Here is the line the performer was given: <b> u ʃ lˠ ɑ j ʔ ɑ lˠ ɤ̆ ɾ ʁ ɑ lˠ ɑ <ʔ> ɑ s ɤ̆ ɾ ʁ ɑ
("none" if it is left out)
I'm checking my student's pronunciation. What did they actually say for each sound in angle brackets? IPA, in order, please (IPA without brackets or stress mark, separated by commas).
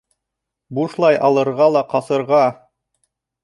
b, q